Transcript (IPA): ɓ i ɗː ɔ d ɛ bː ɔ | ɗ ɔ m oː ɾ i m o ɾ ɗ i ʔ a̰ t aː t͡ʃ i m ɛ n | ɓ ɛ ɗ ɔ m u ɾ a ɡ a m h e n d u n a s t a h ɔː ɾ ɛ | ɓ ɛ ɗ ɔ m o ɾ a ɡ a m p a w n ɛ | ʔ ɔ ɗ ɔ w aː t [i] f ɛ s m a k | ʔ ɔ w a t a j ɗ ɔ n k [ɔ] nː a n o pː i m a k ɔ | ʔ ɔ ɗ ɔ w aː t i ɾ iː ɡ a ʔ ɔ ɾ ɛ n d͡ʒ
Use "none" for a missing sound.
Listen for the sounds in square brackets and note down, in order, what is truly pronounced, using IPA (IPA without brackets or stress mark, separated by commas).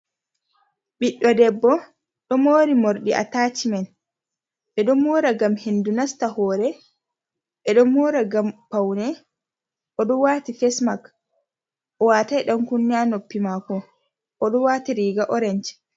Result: i, u